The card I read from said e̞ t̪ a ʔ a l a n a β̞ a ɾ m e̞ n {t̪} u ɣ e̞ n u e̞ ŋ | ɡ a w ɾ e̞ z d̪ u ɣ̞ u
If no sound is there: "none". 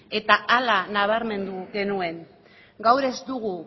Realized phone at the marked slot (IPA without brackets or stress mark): d̪